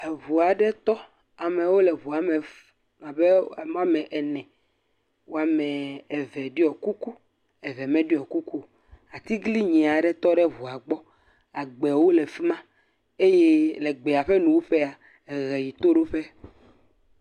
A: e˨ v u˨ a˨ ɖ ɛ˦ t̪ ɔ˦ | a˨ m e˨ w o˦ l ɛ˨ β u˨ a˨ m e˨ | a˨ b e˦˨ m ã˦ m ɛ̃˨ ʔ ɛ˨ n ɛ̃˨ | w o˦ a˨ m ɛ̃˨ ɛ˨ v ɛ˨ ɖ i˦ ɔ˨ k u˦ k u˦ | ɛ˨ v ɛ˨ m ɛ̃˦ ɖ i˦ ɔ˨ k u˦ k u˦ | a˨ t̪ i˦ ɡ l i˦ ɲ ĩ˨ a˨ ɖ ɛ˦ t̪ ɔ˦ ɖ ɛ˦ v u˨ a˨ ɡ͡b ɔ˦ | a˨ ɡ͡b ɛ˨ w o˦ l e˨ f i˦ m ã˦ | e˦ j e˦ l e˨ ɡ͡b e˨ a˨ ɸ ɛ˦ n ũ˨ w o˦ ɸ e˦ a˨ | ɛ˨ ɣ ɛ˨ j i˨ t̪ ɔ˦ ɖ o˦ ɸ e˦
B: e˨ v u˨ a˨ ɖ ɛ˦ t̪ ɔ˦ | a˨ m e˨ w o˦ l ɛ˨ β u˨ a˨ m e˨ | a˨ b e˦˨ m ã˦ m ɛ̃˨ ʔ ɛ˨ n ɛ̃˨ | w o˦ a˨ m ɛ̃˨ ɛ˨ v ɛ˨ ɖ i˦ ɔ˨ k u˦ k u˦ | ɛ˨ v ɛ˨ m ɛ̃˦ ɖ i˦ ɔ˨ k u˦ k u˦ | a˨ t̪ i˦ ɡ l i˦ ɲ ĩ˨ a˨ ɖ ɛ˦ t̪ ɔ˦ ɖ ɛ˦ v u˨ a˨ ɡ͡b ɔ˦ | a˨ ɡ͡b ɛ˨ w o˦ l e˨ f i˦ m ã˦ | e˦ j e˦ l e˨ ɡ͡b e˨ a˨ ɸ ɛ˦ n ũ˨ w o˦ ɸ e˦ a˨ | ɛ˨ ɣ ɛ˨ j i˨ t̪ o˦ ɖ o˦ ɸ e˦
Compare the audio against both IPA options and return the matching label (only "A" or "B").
B